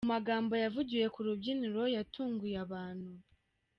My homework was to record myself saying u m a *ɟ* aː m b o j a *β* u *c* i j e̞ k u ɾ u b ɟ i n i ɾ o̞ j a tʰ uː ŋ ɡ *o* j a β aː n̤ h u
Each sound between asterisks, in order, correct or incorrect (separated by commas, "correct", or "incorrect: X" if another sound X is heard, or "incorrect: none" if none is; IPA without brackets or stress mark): incorrect: ɡ, incorrect: v, incorrect: ɟ, incorrect: u